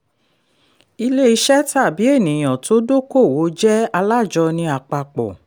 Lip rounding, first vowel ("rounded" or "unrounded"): unrounded